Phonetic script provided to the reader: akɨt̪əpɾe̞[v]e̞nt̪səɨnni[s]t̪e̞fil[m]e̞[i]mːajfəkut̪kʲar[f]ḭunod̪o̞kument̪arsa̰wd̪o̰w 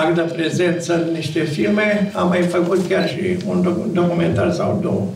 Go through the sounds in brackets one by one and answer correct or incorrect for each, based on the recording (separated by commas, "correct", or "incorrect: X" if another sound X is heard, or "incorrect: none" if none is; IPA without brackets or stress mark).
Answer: incorrect: z, incorrect: ʃ, correct, incorrect: a, incorrect: ʃ